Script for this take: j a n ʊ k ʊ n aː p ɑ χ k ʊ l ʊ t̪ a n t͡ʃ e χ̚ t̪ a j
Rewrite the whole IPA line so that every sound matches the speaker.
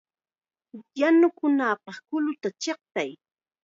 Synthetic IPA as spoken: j a n ʊ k ʊ n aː p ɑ χ k ʊ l ʊ t̪ a t͡ʃ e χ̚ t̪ a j